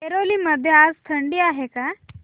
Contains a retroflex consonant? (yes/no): yes